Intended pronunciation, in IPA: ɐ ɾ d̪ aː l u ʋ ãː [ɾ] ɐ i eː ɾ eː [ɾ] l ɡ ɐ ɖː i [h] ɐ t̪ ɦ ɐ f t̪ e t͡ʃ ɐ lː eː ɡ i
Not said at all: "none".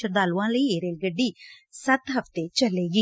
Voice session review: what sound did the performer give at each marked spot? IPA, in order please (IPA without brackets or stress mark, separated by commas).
l, none, s